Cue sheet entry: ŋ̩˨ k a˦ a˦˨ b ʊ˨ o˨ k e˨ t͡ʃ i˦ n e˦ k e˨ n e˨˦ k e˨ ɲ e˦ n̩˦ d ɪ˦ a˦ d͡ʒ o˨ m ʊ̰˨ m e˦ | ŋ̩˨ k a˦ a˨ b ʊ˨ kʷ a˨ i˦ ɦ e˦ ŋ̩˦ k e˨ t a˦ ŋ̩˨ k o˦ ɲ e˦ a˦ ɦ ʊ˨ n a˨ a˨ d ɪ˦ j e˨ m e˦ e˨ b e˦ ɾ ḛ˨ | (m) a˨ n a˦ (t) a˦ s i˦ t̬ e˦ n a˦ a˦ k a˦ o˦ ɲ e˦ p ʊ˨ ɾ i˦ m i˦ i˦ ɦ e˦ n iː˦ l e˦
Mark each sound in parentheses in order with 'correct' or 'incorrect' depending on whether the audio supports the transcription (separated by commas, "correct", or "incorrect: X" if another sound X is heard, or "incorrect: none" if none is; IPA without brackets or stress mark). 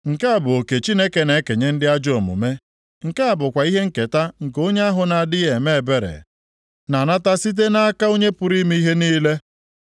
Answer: incorrect: n, correct